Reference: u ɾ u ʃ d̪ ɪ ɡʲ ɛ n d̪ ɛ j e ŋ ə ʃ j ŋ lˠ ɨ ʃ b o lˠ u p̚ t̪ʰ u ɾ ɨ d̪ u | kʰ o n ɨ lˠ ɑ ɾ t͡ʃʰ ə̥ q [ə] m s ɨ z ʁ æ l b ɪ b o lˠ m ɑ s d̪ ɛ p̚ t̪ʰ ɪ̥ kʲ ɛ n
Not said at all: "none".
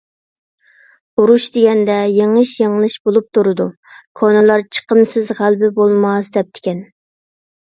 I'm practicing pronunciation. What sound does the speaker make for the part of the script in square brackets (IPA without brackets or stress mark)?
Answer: ə